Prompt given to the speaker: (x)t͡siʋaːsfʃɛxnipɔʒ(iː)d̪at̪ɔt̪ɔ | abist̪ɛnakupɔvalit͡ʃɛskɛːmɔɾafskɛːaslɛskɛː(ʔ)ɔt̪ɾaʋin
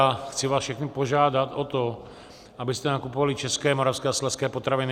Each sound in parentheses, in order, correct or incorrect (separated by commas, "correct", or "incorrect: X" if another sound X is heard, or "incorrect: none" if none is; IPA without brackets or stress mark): correct, incorrect: aː, incorrect: p